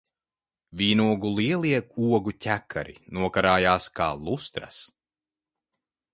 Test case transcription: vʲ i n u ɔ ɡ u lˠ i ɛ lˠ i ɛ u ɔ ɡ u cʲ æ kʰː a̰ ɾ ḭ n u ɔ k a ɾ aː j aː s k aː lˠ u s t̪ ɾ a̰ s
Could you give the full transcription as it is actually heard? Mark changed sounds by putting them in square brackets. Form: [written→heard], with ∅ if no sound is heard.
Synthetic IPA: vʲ [i→iː] n u ɔ ɡ u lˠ i ɛ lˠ i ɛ u ɔ ɡ u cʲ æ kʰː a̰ ɾ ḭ n u ɔ k a ɾ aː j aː s k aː lˠ u s t̪ ɾ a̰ s

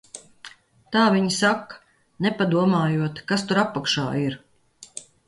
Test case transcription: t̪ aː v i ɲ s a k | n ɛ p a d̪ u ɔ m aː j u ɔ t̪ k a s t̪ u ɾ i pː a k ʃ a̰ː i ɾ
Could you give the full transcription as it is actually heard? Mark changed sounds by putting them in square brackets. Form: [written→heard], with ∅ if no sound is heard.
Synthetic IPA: t̪ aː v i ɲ s a k | n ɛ p a d̪ u ɔ m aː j u ɔ t̪ k a s t̪ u ɾ [i→a] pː a k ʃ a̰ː i ɾ

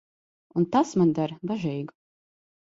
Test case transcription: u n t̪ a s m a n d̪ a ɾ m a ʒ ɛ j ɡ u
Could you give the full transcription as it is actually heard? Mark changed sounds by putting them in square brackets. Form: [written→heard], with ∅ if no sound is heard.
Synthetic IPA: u n t̪ a s m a n d̪ a ɾ [m→b] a ʒ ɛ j ɡ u

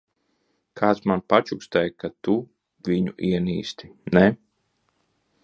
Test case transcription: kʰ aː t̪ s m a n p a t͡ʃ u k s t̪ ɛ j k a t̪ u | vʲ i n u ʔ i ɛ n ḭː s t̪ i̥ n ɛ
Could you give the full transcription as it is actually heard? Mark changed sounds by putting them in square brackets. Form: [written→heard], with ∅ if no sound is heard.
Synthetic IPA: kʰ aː t̪ s m a n p a t͡ʃ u k s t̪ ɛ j k a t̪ u | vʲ i [n→ɲ] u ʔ i ɛ n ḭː s t̪ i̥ n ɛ

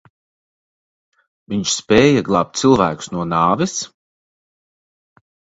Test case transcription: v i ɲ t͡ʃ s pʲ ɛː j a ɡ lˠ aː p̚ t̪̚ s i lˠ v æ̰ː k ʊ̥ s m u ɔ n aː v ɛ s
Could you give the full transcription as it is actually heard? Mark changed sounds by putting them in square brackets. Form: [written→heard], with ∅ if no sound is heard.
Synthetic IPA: v i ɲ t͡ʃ s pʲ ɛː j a ɡ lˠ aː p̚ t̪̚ s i lˠ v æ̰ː k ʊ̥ s [m→n] u ɔ n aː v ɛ s

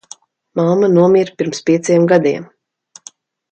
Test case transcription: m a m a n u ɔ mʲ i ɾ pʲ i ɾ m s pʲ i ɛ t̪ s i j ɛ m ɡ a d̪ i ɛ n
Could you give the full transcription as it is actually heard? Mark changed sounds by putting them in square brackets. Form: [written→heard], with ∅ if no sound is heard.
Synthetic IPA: m a m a n u ɔ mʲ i ɾ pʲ i ɾ m s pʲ i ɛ t̪ s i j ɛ m ɡ a d̪ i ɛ [n→m]

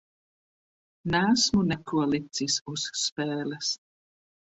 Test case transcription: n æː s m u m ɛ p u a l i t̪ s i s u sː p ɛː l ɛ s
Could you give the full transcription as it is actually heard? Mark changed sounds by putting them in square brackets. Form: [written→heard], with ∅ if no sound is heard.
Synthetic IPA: n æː s m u [m→n] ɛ [p→k] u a l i t̪ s i s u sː p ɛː l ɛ s

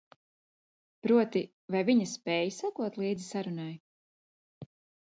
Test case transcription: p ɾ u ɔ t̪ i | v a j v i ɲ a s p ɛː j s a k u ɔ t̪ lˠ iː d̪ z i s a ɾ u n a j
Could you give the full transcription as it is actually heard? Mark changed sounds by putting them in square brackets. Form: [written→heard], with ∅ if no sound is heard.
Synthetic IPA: p ɾ u ɔ t̪ i | v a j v i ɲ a s p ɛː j s a k u ɔ t̪ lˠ iː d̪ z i s a ɾ u n a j

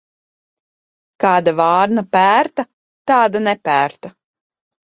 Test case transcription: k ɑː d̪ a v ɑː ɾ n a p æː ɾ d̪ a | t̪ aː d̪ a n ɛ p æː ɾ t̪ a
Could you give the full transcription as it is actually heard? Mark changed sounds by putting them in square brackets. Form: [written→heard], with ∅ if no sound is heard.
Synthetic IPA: k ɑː d̪ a v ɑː ɾ n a p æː ɾ [d̪→t̪] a | t̪ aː d̪ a n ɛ p æː ɾ t̪ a

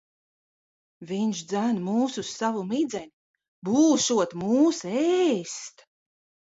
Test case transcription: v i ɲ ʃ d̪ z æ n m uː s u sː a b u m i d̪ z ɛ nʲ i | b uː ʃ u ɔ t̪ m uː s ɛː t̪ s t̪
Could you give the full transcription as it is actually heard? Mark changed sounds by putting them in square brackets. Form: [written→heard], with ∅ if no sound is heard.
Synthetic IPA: v i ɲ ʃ d̪ z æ n m uː s u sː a [b→v] u m i d̪ z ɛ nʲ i | b uː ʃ u ɔ t̪ m uː s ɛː [t̪→∅] s t̪

